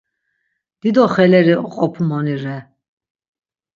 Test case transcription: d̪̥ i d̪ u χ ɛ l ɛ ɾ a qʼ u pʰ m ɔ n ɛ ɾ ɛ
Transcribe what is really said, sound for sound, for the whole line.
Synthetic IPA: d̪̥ i d̪ ɔ χ ɛ l ɛ ɾ i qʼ ɔ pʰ m ɔ n i ɾ ɛ